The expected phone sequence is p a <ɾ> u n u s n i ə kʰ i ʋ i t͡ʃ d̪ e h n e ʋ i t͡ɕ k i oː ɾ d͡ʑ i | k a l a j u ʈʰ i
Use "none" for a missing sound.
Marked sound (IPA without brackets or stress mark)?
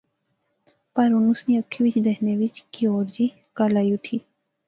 ɾ